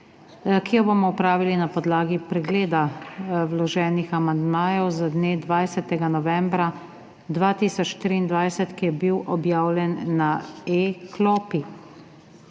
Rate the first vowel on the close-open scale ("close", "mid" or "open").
close